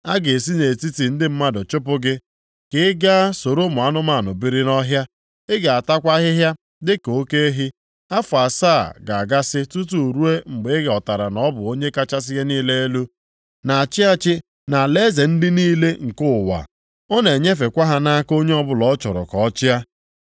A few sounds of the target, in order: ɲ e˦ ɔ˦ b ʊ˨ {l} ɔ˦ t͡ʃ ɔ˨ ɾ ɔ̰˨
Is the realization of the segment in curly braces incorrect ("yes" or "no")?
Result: no